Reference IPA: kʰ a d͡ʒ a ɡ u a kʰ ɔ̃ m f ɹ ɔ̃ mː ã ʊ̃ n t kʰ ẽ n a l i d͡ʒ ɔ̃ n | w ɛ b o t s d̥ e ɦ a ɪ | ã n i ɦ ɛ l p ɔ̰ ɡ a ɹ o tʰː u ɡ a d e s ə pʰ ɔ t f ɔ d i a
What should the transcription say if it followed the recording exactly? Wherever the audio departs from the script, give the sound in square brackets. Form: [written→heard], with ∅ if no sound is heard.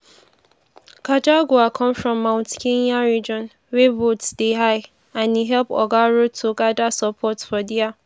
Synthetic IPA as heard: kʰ a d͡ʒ a ɡ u a kʰ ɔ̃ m f ɹ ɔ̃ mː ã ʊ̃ n t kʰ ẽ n a [l→ɹ] i d͡ʒ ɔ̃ n | w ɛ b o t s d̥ e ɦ a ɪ | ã n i ɦ ɛ l p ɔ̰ ɡ a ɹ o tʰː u ɡ a d [e→a] s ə pʰ ɔ t f ɔ d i a